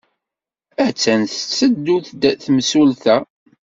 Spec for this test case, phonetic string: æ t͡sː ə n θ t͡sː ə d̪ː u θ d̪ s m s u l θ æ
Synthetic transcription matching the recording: æ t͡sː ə n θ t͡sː ə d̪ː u θ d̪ θ m s u l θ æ